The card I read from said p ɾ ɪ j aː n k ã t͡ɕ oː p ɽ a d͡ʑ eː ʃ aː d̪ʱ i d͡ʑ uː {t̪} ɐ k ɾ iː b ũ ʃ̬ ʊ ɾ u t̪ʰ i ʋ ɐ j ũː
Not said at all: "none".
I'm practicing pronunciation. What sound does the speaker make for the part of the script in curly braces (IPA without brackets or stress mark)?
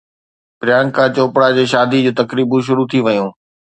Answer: t̪